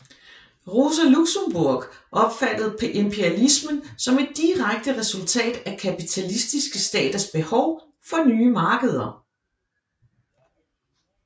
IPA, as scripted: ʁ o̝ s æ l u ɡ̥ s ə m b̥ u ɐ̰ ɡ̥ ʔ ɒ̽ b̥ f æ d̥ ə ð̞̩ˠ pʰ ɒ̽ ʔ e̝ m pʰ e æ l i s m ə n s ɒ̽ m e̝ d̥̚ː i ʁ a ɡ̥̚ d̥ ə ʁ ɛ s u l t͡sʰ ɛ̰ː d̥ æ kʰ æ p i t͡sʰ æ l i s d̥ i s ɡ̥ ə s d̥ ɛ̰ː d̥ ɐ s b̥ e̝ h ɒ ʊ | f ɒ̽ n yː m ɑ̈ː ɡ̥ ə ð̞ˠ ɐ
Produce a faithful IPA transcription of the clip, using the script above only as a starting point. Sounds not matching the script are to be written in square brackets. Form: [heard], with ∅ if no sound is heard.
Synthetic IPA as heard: ʁ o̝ s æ l u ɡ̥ s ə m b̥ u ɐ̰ ɡ̥ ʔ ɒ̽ b̥ f æ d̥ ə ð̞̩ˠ pʰ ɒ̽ ʔ e̝ m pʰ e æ l i s m ə n s ɒ̽ m e̝ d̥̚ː i ʁ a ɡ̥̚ d̥ ə ʁ ɛ s u l t͡sʰ ɛ̰ː d̥ æ kʰ æ p i t͡sʰ æ l i s d̥ i s ɡ̥ ə s d̥ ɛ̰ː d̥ ɐ s b̥ e̝ h ɒ ʊ | f ɒ̽ n yː m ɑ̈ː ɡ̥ ə ð̞ˠ ɐ